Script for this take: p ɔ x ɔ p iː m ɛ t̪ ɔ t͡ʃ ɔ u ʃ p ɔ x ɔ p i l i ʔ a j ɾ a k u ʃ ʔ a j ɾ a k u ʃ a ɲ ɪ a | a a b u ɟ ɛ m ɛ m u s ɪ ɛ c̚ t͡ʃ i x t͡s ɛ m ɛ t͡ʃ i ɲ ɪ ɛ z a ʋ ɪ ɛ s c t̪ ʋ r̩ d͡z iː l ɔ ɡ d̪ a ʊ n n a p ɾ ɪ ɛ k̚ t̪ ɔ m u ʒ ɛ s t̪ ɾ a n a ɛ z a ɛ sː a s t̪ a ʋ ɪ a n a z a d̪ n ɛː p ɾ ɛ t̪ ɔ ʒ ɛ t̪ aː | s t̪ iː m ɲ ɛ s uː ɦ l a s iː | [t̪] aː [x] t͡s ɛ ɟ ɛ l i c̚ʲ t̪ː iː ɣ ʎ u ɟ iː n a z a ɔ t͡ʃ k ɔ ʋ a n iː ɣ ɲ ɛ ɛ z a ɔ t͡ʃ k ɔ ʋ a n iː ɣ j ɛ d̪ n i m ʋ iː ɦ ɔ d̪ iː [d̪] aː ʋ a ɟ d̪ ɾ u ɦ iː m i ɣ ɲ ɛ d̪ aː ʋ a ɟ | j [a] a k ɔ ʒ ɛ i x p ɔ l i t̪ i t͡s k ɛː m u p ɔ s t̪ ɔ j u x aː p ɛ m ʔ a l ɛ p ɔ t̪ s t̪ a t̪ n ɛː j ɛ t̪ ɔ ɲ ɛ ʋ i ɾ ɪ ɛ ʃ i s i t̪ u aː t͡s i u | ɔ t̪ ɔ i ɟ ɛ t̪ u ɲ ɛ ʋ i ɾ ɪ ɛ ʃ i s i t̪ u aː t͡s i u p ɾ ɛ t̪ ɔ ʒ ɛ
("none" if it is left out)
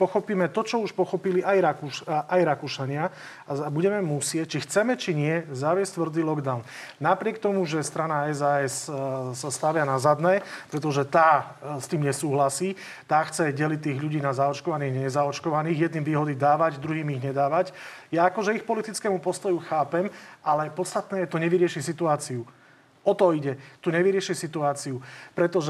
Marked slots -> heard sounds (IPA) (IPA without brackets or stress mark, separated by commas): t̪, x, d̪, a